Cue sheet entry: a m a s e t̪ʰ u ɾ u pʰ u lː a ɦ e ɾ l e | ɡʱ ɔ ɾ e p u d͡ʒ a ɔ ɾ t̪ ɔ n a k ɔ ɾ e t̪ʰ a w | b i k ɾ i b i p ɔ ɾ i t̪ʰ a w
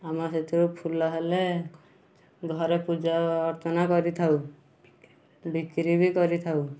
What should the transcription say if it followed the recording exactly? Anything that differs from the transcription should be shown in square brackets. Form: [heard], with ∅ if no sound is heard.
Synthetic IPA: a m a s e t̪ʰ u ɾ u pʰ u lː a ɦ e [∅] l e | ɡʱ ɔ ɾ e p u d͡ʒ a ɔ ɾ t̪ ɔ n a k ɔ ɾ [i] t̪ʰ a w | b i k ɾ i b i [k] ɔ ɾ i t̪ʰ a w

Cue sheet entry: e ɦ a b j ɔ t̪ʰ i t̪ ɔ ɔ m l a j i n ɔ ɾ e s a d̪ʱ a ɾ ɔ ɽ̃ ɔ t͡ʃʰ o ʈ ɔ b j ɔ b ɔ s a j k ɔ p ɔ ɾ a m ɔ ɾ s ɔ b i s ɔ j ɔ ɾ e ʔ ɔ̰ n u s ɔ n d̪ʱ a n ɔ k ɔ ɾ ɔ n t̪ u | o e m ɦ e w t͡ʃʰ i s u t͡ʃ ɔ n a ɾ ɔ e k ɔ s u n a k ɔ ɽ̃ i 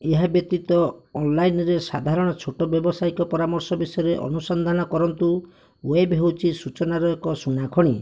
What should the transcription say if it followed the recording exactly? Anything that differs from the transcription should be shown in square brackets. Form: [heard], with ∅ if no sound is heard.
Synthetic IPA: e ɦ a b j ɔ [t̪] i t̪ ɔ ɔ [n] l a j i n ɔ ɾ e s a d̪ʱ a ɾ ɔ ɽ̃ ɔ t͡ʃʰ o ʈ ɔ b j ɔ b ɔ s a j k ɔ p ɔ ɾ a m ɔ ɾ s ɔ b i s ɔ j ɔ ɾ e ʔ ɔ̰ n u s ɔ n d̪ʱ a n ɔ k ɔ ɾ ɔ n t̪ u | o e [b] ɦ e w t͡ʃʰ i s u t͡ʃ ɔ n a ɾ ɔ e k ɔ s u n a [kʰ] ɔ ɽ̃ i

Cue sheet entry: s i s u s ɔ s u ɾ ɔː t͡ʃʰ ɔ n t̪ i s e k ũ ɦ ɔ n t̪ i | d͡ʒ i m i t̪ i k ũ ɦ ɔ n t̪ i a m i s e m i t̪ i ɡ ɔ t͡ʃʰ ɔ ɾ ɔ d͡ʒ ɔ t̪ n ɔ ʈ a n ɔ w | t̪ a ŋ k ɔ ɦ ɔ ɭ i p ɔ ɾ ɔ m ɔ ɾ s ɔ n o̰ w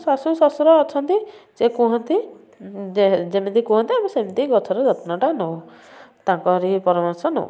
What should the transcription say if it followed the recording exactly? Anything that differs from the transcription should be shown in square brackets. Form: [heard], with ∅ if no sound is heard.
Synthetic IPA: s [a] s u s ɔ s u ɾ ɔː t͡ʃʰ ɔ n t̪ i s e k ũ ɦ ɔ n t̪ i | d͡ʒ [e] m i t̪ i k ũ ɦ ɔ n t̪ i a m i s e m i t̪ i ɡ ɔ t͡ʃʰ ɔ ɾ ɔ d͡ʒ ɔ t̪ n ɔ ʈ a n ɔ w | t̪ a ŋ k ɔ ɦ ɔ [ɾ] i p ɔ ɾ ɔ m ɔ ɾ s ɔ n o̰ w

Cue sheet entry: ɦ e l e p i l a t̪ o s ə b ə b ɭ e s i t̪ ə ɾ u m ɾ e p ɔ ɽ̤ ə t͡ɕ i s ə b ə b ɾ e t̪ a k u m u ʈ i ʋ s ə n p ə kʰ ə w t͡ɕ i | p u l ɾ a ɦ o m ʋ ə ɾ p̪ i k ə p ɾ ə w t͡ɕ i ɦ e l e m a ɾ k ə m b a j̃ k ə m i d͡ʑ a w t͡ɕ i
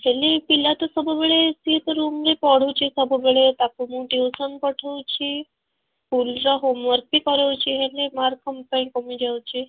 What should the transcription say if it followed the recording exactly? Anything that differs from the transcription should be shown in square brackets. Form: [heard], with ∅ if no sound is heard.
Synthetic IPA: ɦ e l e p i l a t̪ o s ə b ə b ɭ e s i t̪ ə ɾ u m ɾ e p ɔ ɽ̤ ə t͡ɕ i s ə b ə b [ɭ] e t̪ a k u m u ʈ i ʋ s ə n p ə [ʈʰ] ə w t͡ɕ i | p u l ɾ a ɦ o m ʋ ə ɾ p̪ i k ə [∅] ɾ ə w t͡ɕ i ɦ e l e m a ɾ k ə m [p] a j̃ k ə m i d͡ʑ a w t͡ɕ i

